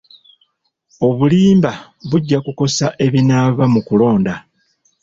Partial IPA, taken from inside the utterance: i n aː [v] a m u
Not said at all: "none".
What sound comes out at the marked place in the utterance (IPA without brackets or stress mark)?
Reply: β